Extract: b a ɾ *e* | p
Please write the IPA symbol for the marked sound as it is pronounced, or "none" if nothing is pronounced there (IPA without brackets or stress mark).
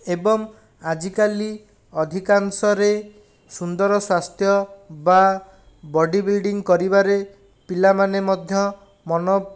e